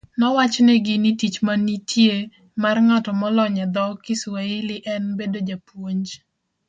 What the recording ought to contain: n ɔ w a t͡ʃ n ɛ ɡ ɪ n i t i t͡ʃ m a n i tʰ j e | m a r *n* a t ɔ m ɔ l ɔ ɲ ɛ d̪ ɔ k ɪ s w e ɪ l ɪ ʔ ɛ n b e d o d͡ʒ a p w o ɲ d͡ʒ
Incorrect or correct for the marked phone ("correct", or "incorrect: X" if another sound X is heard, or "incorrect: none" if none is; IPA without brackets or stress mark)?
incorrect: ŋ